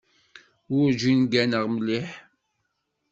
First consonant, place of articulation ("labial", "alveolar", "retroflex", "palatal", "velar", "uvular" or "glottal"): alveolar